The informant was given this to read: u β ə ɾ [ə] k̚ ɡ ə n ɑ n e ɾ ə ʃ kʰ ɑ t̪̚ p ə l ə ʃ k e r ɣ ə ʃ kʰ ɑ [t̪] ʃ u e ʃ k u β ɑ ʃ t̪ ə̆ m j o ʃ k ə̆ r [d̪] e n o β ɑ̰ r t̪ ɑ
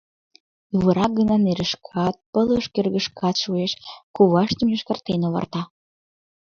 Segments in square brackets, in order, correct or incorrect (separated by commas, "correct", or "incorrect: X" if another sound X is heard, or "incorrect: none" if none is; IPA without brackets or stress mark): incorrect: ɑ, correct, incorrect: t̪